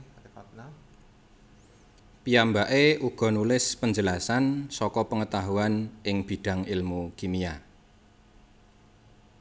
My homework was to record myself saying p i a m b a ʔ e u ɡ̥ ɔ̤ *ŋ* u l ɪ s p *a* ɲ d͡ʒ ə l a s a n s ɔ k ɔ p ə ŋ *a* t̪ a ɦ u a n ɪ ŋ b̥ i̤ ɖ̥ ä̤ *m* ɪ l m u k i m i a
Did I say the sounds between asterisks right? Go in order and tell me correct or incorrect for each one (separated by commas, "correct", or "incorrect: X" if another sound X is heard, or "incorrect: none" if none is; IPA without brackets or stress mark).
incorrect: n, incorrect: ə, incorrect: ə, incorrect: ŋ